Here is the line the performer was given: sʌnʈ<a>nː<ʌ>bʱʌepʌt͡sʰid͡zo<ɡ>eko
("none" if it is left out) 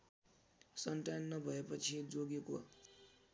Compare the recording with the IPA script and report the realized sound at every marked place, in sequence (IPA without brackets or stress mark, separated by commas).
a, ʌ, ɡ